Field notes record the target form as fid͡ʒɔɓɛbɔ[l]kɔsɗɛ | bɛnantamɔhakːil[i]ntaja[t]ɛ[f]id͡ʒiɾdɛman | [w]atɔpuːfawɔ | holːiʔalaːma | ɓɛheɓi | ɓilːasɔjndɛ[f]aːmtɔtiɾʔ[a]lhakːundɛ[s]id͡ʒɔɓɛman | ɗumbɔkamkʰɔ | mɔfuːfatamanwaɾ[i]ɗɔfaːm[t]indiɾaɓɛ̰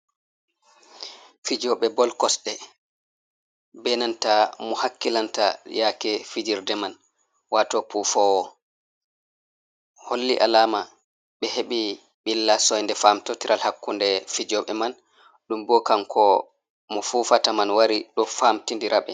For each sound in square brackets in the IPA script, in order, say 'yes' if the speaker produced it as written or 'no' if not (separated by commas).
yes, no, no, yes, yes, yes, yes, no, yes, yes